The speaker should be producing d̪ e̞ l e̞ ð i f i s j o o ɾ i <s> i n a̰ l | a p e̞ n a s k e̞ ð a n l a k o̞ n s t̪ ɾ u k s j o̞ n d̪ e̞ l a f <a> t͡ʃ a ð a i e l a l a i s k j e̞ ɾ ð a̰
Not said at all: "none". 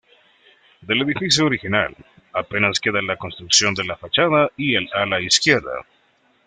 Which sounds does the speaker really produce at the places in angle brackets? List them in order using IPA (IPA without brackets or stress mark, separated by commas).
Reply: x, a